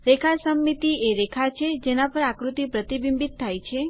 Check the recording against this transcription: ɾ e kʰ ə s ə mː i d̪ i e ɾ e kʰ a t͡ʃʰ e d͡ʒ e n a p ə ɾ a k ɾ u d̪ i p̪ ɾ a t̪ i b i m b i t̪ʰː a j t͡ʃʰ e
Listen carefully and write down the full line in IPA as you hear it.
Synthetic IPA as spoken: ɾ e kʰ a s ə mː i t̪ i e ɾ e kʰ a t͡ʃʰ e d͡ʒ e n a p ə ɾ a k ɾ u t̪ i p̪ ɾ ə t̪ i b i m b i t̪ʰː a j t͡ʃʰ e

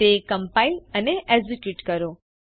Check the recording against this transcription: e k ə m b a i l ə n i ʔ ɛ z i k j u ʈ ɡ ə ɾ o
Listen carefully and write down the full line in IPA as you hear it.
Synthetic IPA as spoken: e k ə m p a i l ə n e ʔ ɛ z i k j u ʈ k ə ɾ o

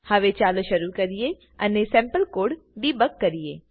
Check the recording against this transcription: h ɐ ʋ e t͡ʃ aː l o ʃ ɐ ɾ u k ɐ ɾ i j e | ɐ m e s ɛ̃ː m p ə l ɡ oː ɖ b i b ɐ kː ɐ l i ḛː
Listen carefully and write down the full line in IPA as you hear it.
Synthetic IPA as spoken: h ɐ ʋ e t͡ʃ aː l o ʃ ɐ ɾ u k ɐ ɾ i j e | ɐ n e s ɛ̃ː m p ə l k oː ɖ b i b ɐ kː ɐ ɾ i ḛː

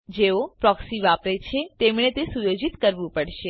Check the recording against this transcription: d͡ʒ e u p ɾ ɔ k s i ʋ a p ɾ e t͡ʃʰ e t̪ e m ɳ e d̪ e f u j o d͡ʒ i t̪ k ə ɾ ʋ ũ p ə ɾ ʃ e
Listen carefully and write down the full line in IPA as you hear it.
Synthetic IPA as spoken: d͡ʒ e o p ɾ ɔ k s i ʋ a p ɾ e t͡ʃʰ e t̪ e m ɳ e t̪ e s u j o d͡ʒ i t̪ k ə ɾ ʋ ũ p ə ɽ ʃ e

